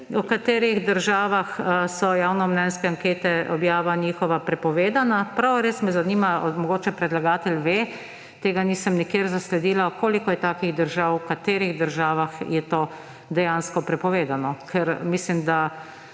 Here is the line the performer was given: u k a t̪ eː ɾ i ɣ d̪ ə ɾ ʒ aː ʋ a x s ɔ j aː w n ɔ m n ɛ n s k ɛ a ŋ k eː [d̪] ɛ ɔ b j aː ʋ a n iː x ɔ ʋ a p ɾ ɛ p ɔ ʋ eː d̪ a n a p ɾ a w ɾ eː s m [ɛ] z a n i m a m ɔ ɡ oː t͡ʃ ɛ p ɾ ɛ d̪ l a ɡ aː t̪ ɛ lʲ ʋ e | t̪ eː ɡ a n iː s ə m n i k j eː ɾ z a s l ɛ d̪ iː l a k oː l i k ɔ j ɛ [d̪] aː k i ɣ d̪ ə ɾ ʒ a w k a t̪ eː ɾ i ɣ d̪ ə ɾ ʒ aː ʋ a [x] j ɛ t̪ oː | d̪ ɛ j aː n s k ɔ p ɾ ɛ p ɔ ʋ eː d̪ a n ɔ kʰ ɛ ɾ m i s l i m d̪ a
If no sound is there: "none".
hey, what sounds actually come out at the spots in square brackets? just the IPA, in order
t̪, ɛ, t̪, x

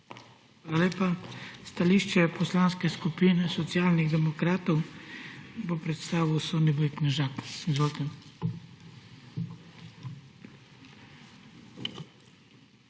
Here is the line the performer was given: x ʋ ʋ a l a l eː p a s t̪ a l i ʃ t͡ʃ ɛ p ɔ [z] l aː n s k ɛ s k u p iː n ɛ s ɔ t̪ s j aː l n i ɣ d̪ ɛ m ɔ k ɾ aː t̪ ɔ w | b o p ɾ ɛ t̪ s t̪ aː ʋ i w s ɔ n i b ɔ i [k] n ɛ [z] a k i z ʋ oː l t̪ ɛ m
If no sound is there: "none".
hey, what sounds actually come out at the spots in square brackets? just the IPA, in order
s, k, ʒ

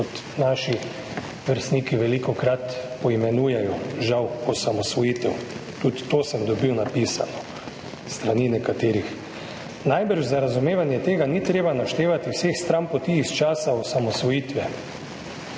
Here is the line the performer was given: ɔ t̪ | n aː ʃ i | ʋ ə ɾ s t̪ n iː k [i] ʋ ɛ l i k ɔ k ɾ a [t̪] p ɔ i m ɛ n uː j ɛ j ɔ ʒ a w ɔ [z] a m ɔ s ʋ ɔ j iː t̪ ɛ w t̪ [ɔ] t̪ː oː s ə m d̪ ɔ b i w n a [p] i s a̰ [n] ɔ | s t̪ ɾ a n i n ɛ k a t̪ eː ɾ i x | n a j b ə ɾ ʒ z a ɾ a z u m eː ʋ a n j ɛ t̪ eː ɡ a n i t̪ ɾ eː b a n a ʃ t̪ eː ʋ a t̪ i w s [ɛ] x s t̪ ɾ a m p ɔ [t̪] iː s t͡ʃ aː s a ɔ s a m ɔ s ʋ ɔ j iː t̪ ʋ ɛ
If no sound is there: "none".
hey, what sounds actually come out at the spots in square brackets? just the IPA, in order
i, t̪, s, u, p, n, e, t̪

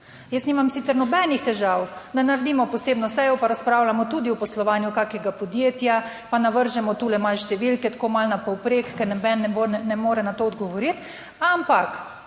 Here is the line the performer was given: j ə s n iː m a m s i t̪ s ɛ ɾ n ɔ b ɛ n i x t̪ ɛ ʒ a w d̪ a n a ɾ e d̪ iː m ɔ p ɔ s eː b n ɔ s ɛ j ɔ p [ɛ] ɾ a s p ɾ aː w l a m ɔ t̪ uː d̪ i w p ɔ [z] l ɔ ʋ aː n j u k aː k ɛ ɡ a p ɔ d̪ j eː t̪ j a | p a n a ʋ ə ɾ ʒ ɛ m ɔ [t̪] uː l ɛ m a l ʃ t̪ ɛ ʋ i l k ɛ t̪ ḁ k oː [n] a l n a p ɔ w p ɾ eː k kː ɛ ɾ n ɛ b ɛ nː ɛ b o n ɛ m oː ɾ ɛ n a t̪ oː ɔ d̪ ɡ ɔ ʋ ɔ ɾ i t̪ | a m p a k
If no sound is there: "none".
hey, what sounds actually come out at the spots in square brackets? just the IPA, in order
a, s, t̪, m

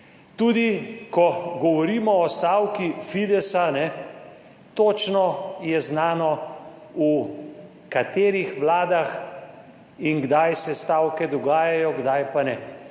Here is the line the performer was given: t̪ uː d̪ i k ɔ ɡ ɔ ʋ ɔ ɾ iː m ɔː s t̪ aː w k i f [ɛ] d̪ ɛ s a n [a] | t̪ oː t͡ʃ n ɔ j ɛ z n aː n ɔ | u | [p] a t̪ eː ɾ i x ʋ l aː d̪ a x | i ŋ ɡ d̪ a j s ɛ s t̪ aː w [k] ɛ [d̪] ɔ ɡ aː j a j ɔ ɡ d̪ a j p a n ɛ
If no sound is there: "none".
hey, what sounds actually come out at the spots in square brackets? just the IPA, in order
i, ɛ, k, k, d̪

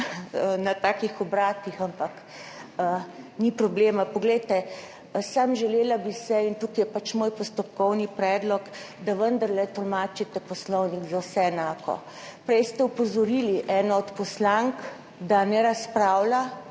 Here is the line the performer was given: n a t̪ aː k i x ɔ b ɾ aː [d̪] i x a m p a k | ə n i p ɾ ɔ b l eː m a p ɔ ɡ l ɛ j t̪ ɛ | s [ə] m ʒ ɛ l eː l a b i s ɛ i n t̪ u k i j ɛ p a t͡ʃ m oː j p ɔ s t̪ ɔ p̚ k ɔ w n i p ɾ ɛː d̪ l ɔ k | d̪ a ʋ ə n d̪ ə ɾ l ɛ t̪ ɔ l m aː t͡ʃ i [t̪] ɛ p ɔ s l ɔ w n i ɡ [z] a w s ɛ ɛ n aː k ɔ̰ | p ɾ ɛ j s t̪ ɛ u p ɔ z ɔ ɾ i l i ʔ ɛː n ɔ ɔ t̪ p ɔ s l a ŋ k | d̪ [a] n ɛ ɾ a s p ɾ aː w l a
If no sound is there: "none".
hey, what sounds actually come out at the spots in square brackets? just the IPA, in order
t̪, a, t̪, z, a

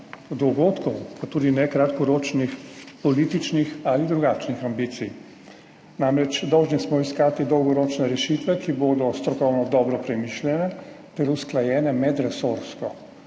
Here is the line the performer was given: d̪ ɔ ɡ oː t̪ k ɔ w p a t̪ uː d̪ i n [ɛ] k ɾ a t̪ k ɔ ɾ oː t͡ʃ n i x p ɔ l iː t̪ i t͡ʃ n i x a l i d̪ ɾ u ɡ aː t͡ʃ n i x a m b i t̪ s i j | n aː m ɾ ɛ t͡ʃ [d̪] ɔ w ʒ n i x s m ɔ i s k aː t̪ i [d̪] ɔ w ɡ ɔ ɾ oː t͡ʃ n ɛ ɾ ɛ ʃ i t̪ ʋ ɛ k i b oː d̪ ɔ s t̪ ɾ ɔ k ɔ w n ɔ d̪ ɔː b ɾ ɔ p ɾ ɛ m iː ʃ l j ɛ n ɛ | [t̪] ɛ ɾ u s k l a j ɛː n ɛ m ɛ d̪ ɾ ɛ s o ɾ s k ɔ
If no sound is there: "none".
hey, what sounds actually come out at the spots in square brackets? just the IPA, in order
ɛ, d̪, d̪, t̪

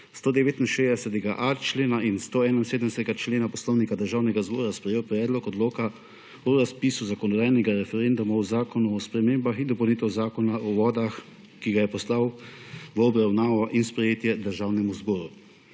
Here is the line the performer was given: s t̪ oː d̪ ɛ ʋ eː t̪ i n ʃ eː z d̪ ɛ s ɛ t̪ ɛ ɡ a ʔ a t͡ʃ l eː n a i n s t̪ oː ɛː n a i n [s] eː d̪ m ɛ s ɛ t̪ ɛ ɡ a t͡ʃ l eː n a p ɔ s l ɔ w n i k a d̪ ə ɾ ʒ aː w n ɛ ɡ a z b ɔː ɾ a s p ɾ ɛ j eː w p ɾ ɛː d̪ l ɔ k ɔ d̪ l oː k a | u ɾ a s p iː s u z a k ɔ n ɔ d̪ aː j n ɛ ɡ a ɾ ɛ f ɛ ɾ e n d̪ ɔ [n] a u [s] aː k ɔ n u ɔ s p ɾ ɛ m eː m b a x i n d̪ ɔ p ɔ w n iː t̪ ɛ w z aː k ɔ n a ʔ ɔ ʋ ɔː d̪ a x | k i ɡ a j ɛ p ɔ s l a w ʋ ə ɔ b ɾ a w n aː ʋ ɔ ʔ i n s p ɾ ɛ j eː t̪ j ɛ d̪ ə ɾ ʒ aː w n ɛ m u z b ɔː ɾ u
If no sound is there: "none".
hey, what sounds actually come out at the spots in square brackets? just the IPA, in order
s, m, z

